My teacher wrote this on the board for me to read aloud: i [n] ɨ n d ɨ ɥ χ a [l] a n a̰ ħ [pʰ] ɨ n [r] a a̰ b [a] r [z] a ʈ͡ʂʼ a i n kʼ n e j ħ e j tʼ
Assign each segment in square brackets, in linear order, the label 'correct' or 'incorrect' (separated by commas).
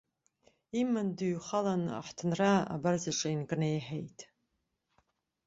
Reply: incorrect, correct, incorrect, correct, correct, correct